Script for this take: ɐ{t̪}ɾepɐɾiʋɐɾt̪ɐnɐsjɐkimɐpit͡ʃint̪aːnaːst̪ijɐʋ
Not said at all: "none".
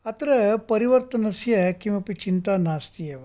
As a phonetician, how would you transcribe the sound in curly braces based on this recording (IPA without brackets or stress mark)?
t̪